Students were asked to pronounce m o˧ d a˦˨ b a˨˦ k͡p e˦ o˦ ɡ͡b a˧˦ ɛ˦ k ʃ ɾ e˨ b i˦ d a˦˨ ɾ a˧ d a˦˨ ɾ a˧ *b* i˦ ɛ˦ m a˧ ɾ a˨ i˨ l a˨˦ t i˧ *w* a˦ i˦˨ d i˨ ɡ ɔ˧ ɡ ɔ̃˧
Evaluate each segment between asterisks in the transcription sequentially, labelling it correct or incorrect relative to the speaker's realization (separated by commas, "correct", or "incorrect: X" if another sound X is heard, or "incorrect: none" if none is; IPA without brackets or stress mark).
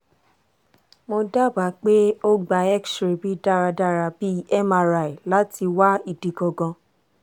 correct, correct